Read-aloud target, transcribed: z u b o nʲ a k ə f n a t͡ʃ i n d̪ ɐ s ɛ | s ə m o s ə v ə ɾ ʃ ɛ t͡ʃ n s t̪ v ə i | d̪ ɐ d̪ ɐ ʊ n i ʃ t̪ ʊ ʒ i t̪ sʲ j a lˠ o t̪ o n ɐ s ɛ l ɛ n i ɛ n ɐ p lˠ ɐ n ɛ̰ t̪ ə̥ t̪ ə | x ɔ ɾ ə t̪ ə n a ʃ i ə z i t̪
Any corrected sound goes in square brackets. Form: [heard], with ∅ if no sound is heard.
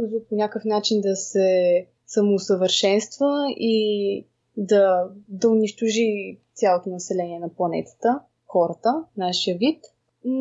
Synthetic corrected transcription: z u [p] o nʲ a k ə f n a t͡ʃ i n d̪ ɐ s ɛ | s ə m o s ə v ə ɾ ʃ ɛ [∅] n s t̪ v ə i | d̪ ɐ d̪ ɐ ʊ n i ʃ t̪ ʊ ʒ i t̪ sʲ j a lˠ o t̪ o n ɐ s ɛ l ɛ n i ɛ n ɐ p lˠ ɐ n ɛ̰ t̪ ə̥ t̪ ə | x ɔ ɾ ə t̪ ə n a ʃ i ə [v] i t̪